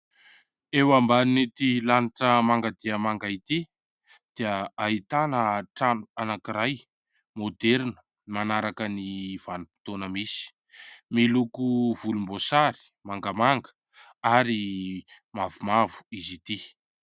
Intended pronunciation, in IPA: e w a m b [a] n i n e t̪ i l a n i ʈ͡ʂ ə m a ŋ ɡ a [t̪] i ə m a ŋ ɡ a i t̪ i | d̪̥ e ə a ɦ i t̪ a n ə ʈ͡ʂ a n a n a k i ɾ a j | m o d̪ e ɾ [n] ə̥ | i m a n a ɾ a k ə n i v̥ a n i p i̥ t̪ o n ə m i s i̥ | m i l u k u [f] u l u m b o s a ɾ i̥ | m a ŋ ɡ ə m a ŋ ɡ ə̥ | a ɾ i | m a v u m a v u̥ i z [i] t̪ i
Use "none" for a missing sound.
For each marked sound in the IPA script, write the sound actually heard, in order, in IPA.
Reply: a, d̪, n, v, i

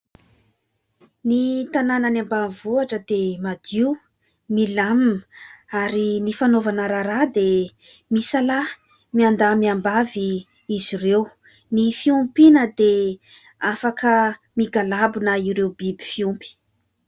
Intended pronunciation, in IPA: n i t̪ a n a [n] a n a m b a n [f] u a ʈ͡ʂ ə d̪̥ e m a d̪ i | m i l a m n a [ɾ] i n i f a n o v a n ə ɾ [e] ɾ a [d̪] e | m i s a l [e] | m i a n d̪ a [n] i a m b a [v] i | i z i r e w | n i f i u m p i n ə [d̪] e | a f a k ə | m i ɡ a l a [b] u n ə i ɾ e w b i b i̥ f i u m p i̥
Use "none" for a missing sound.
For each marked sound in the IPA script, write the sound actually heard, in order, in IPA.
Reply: n, v, ɾ, a, d̪, a, m, v, d̪, b

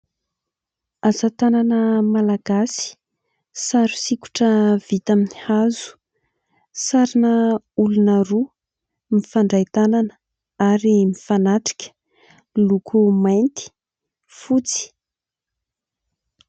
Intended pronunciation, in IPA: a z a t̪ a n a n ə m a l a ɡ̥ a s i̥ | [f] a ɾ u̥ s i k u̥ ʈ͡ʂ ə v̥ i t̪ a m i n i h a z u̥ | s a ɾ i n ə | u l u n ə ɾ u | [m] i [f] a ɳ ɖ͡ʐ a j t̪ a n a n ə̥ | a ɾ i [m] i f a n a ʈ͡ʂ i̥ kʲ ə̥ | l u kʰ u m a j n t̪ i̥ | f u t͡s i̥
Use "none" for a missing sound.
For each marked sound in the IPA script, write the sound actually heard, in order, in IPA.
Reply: s, m, f, m

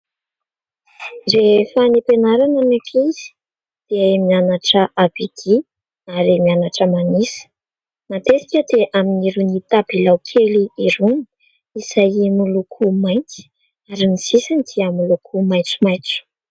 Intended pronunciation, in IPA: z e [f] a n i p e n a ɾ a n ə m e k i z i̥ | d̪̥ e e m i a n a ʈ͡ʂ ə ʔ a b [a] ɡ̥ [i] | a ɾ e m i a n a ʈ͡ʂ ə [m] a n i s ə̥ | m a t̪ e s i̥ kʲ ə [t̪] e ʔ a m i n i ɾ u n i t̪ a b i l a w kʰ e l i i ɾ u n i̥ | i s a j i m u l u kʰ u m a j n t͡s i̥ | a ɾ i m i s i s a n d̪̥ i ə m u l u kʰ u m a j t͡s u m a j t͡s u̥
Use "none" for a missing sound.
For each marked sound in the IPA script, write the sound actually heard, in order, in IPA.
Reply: f, i, i, m, d̪

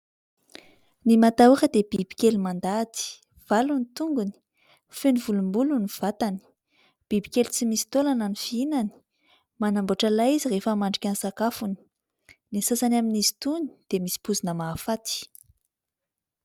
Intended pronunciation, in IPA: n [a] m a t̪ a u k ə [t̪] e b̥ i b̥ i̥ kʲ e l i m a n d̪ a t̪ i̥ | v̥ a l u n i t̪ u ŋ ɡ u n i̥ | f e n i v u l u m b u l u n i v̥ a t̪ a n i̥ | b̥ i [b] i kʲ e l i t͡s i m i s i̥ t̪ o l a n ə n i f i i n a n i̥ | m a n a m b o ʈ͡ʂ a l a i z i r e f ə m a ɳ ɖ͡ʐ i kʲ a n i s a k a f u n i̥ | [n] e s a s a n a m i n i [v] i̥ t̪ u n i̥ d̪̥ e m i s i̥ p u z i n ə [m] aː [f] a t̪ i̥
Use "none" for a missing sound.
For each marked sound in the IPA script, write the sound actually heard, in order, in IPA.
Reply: i, d̪, b, n, z, m, f

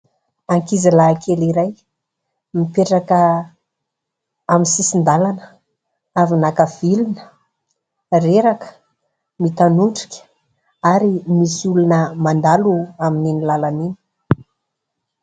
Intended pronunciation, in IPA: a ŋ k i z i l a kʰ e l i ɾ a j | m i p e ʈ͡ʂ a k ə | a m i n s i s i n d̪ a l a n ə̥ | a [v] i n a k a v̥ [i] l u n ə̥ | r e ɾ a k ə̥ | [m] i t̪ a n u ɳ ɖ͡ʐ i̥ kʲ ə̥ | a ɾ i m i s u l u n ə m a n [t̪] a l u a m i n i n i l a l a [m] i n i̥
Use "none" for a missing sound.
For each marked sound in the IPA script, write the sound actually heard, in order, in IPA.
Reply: v, i, m, d̪, n

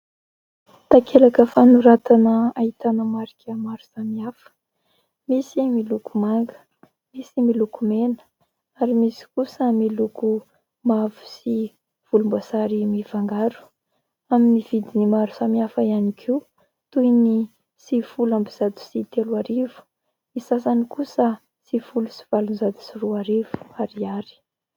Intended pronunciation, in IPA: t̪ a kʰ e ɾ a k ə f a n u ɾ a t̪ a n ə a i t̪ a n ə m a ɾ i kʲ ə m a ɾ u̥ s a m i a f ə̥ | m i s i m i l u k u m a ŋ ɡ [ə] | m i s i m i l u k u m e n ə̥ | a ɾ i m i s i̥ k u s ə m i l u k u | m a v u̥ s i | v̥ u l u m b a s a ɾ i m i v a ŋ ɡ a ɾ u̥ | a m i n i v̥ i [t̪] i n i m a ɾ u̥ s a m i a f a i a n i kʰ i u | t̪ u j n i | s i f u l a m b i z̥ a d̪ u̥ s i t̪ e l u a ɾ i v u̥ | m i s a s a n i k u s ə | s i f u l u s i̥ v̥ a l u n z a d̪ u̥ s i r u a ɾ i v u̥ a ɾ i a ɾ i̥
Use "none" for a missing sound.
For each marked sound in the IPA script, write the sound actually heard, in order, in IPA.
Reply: ə, d̪

